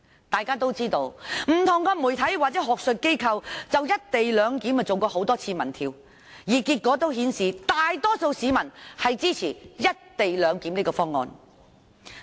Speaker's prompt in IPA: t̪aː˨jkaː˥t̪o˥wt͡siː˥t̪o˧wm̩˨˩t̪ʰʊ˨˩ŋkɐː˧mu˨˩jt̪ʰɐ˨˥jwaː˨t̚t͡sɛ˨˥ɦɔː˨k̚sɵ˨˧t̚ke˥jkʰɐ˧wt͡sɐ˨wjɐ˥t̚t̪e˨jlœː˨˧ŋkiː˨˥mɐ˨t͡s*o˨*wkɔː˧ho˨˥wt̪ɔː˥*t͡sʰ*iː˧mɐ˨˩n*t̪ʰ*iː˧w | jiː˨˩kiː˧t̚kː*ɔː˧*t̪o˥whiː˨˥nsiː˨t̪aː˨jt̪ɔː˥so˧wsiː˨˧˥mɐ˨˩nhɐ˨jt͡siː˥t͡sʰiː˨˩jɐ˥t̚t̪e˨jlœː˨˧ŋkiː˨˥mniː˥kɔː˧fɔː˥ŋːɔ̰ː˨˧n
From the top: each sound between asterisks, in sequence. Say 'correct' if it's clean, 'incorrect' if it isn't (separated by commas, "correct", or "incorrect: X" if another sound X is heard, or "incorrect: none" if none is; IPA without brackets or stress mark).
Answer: correct, correct, correct, incorrect: ɔː˨˥